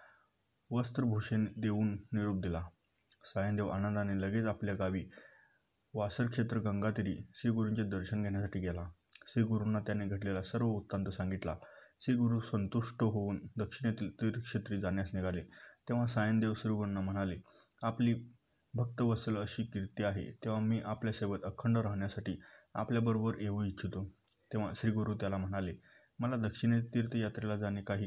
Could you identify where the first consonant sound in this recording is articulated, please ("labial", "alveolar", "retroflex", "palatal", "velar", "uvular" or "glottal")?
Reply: labial